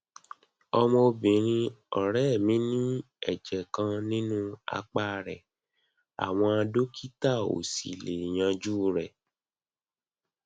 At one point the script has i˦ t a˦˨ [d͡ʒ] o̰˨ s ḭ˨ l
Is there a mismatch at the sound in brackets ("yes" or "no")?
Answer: yes